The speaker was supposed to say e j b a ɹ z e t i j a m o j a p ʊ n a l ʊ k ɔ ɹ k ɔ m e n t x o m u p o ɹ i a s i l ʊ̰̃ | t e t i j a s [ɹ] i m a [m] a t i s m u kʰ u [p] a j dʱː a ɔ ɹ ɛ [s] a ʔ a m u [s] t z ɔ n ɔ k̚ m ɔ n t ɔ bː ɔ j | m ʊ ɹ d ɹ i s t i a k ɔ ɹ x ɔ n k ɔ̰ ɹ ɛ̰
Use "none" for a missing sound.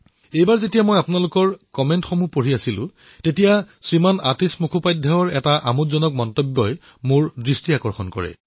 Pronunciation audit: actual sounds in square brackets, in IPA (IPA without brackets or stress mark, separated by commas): ɹ, n, p, t, none